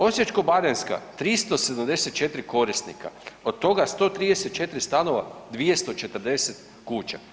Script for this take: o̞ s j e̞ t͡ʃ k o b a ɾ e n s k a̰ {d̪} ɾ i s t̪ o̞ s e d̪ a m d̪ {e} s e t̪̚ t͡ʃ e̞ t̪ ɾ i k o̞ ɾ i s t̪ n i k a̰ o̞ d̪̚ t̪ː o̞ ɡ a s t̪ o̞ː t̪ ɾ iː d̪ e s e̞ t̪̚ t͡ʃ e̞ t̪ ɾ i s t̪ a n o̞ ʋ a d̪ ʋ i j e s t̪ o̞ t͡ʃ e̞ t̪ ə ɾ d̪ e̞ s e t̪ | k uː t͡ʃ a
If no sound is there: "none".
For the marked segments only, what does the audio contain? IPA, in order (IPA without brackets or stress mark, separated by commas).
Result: t̪, e